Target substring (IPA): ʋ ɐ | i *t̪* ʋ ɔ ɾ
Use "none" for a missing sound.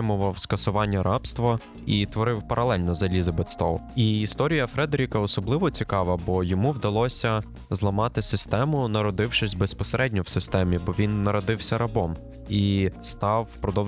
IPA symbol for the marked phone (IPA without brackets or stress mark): t̪